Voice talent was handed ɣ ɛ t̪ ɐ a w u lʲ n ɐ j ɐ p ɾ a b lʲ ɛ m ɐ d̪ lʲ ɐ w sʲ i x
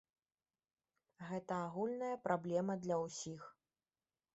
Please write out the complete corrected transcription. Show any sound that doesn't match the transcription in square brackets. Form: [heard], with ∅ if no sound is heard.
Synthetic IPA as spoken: ɣ ɛ t̪ ɐ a [ɣ] u lʲ n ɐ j ɐ p ɾ a b lʲ ɛ m ɐ d̪ lʲ ɐ w sʲ i x